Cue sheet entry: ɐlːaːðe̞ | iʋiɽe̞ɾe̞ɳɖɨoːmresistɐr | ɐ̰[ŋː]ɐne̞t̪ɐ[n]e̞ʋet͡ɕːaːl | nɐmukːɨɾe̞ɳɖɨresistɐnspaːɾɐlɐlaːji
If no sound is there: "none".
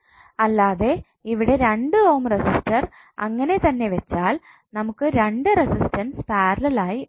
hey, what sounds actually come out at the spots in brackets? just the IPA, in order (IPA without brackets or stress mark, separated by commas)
ŋː, nː